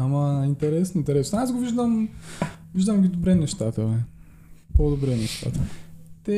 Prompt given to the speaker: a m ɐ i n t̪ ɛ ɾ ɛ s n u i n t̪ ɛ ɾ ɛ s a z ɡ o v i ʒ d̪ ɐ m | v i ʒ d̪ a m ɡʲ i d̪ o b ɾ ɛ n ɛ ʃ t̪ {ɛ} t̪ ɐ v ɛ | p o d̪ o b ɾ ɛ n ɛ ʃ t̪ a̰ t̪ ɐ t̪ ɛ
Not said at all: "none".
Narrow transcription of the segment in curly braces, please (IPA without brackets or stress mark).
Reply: a